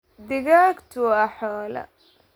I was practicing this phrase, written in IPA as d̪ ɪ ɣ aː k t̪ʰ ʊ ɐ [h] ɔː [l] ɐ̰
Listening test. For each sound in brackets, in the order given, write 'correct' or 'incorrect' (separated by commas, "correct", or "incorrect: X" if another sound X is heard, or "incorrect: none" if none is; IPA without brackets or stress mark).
incorrect: ħ, correct